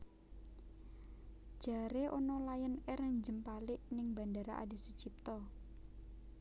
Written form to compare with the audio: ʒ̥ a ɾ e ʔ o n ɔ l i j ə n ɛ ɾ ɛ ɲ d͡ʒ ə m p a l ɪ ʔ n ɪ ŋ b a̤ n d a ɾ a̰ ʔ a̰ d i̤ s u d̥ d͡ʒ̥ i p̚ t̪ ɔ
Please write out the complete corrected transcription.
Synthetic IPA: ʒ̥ a ɾ e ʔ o n ɔ l a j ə n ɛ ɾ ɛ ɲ d͡ʒ ə m p a l ɪ ʔ n ɪ ŋ b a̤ n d a ɾ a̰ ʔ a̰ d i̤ s u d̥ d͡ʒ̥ i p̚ t̪ ɔ